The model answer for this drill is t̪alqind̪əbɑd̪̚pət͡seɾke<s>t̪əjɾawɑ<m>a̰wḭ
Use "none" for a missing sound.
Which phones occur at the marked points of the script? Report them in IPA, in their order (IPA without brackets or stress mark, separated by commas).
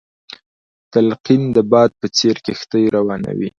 x, n